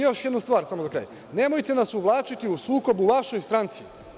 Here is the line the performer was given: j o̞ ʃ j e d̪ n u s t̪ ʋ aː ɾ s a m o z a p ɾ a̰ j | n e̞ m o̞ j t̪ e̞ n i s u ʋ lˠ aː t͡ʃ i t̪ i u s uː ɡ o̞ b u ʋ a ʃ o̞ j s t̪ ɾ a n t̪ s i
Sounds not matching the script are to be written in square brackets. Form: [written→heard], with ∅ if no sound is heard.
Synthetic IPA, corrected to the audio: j o̞ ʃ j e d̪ n u s t̪ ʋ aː ɾ s a m o z a [p→k] ɾ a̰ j | n e̞ m o̞ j t̪ e̞ n [i→a] s u ʋ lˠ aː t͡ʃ i t̪ i u s uː [ɡ→k] o̞ b u ʋ a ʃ o̞ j s t̪ ɾ a n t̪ s i